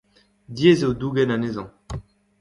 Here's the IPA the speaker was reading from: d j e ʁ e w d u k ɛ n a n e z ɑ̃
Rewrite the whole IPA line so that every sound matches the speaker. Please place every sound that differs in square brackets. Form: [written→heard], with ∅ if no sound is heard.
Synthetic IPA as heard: d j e [ʁ→z] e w d u [k→ɡ] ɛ n a n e z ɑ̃

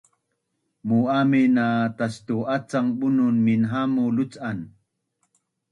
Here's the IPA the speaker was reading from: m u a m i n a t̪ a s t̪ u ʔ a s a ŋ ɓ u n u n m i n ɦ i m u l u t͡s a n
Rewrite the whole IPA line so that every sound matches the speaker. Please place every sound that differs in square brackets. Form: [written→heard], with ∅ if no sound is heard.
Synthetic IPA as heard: m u a m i n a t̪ a s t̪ u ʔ a [s→t͡s] a ŋ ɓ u n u n m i n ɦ [i→a] m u l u t͡s a n

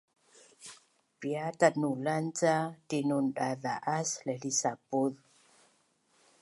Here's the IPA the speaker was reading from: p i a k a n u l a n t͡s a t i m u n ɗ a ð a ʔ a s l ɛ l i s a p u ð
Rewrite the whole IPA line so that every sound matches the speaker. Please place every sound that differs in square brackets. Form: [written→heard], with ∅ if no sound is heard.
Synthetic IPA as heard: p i a [k→t] a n u l a n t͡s a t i [m→n] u n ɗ a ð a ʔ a s l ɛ l i s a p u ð

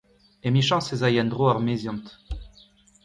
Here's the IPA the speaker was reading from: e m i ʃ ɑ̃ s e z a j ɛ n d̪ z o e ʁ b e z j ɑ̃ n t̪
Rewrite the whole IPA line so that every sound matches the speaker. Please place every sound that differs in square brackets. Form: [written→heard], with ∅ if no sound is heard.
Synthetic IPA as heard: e m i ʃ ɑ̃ s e z a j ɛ n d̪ [z→ʁ] o [e→a] ʁ [b→m] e z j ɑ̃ n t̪

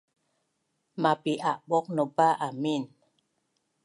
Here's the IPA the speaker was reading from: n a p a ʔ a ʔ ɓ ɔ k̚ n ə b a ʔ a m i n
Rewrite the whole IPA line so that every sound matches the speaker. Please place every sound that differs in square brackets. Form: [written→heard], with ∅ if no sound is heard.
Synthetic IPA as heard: [n→m] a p [a→i] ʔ a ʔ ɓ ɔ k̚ n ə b a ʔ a m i n

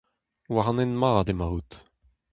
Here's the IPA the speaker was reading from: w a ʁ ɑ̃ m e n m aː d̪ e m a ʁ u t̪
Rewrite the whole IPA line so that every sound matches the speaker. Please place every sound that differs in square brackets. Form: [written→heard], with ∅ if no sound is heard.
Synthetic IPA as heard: w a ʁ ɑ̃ [m→n] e n m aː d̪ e m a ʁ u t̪

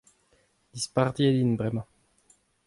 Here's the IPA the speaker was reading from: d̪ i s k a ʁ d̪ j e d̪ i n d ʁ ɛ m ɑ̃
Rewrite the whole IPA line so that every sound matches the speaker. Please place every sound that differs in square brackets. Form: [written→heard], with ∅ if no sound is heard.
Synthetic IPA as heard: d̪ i s [k→p] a ʁ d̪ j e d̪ i n [d→b] ʁ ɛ m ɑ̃

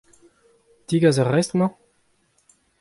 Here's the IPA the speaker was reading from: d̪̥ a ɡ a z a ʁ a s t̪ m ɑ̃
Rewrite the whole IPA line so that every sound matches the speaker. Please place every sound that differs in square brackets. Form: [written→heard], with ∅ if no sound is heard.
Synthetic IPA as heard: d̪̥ [a→i] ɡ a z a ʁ [a→ɛ] s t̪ m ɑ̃

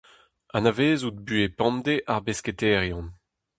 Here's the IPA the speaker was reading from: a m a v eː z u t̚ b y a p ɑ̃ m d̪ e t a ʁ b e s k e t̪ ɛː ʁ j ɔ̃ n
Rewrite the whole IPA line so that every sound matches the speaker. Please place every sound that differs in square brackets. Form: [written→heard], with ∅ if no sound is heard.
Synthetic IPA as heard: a [m→n] a v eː z u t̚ b y [a→e] p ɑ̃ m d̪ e [t→ʔ] a ʁ b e s k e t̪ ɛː ʁ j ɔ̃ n

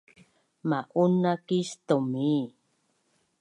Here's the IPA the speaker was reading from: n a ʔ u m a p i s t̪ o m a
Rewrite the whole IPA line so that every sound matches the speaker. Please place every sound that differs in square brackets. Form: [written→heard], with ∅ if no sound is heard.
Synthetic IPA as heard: [n→m] a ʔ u [m→n] a [p→k] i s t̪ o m [a→i]

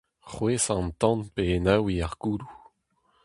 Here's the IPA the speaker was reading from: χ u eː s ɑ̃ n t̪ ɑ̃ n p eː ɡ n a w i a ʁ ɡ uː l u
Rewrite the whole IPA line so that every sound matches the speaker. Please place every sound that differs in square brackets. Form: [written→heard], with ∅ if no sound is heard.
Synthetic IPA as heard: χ [u→w] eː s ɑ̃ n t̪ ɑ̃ n p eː [ɡ→∅] n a w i a ʁ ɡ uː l u

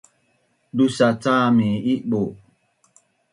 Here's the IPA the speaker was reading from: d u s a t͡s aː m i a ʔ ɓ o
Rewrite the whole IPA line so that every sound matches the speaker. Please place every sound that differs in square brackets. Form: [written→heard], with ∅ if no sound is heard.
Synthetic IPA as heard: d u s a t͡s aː m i [a→i] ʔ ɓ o

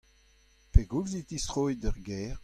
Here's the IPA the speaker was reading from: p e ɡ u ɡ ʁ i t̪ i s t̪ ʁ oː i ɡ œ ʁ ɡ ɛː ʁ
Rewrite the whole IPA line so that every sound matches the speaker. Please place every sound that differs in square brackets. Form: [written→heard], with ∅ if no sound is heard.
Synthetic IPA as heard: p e ɡ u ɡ [ʁ→z] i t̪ i s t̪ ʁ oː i [ɡ→d] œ ʁ ɡ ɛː ʁ

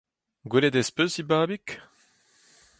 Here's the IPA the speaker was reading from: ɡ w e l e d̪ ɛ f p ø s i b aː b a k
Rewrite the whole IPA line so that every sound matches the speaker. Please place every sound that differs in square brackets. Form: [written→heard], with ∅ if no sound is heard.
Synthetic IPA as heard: ɡ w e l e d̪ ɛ [f→s] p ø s i b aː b [a→i] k

